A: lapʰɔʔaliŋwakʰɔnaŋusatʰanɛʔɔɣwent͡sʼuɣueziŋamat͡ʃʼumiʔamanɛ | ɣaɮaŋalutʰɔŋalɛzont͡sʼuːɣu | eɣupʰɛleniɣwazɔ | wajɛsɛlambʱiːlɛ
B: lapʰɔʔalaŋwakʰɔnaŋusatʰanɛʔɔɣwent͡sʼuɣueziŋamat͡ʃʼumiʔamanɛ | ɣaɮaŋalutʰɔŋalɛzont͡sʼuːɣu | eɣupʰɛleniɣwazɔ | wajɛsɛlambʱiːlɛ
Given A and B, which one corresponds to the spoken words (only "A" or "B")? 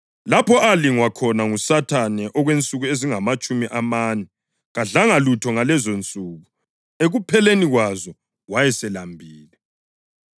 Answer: A